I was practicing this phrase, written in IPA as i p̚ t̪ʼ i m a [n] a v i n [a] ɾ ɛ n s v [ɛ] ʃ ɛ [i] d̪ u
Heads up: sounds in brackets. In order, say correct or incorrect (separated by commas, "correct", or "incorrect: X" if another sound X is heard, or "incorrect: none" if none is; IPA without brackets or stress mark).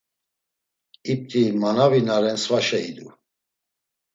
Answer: correct, correct, incorrect: a, correct